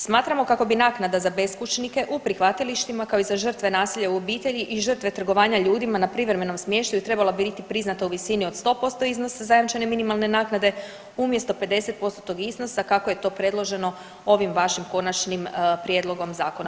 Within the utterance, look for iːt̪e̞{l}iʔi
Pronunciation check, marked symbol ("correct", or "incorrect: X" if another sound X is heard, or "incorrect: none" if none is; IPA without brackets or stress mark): incorrect: ʎ